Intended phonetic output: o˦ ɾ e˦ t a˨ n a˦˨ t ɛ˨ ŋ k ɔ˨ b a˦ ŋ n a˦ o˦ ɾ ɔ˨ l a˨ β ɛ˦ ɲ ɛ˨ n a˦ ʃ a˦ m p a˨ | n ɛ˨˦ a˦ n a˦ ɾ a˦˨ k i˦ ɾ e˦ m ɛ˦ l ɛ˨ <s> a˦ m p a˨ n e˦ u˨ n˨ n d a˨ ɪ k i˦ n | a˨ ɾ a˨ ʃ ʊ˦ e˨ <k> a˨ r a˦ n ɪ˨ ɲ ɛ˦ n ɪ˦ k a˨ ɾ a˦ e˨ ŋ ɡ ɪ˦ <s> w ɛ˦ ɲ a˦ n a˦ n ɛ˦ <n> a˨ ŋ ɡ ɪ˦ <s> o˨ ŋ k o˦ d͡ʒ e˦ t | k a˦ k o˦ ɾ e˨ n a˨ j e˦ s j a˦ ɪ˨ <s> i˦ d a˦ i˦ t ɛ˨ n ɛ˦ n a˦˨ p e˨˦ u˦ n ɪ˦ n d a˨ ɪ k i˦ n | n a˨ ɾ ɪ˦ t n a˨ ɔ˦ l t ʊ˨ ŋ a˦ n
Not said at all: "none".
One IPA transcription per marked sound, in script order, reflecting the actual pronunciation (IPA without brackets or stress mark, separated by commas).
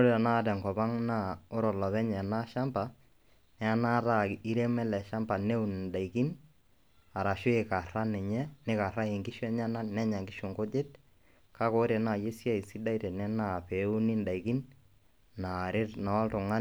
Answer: ʃ, k, ʃ, ɲ, ʃ, s